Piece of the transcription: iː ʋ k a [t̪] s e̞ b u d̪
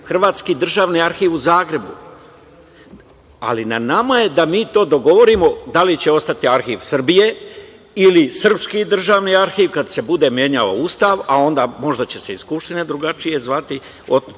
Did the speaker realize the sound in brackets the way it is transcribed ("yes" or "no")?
no